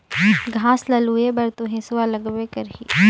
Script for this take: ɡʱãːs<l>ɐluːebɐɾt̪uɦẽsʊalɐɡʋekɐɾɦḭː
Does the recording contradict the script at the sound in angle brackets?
no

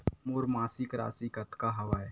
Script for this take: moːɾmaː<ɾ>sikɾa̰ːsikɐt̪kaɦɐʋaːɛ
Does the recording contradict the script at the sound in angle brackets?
yes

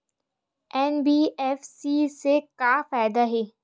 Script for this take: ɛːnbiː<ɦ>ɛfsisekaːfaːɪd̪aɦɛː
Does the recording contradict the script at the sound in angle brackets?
yes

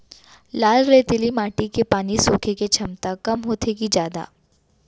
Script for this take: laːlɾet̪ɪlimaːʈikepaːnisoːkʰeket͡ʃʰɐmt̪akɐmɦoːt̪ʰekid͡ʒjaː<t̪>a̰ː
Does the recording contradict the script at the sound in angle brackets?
yes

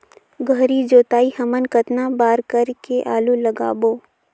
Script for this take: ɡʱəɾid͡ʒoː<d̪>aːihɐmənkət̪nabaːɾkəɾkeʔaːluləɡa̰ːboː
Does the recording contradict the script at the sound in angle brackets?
yes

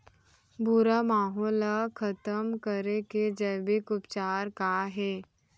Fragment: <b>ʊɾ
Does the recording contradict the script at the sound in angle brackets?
no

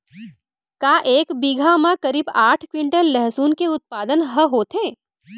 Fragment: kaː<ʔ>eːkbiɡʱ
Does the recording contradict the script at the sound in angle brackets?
no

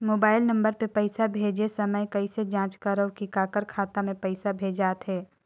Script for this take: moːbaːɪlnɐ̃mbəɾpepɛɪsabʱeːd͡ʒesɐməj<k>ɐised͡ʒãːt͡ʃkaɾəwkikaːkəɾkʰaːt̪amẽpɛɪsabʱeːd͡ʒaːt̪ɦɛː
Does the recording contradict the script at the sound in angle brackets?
no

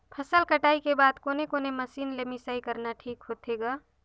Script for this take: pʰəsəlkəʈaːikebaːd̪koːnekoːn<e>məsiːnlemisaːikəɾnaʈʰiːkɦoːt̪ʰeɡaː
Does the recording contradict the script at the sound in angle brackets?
no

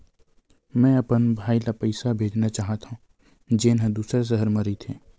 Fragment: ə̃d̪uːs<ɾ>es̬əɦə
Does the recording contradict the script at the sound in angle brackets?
no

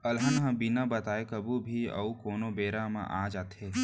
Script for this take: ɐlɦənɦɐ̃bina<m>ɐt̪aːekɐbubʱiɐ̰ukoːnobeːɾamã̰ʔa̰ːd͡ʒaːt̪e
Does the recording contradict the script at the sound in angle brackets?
yes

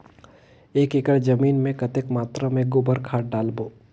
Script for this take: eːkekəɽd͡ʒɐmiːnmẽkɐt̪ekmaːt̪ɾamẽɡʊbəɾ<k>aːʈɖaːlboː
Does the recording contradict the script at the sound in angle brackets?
yes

